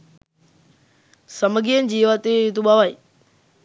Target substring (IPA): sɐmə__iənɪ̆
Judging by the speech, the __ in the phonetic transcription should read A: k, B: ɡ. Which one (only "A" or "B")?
B